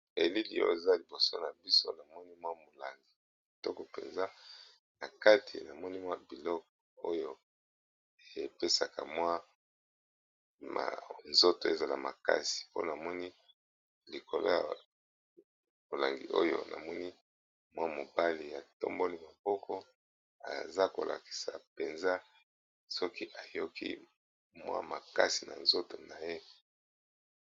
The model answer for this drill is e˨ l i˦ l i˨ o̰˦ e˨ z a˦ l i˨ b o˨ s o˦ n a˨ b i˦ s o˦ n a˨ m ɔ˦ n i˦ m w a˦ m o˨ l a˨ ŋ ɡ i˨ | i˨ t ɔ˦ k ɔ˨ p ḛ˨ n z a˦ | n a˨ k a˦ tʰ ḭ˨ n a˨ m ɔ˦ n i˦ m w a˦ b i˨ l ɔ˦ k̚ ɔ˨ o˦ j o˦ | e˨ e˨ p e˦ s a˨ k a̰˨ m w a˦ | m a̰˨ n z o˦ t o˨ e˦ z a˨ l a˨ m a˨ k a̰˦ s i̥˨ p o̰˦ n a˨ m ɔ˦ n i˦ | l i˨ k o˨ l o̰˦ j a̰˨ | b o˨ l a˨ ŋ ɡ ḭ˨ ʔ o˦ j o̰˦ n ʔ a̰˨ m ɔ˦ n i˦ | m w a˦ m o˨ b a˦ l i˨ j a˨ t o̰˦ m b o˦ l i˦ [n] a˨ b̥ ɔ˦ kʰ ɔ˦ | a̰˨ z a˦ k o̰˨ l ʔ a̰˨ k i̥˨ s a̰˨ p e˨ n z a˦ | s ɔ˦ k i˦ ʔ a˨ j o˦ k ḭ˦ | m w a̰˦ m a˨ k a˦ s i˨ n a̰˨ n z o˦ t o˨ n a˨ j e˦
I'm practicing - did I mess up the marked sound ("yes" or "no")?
yes